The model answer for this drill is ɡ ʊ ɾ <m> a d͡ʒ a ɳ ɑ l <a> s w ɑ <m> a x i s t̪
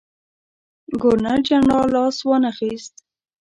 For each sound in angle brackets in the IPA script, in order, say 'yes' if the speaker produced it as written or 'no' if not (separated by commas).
no, no, no